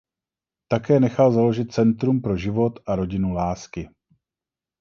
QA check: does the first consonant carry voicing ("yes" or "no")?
no